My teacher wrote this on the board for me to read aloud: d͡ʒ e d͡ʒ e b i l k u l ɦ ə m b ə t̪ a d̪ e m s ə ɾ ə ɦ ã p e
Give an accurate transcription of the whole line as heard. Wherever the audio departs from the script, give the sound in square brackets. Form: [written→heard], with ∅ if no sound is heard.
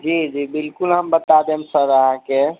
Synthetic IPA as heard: d͡ʒ [e→i] d͡ʒ [e→i] b i l k u l ɦ ə m b ə t̪ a d̪ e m s ə ɾ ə ɦ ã [p→k] e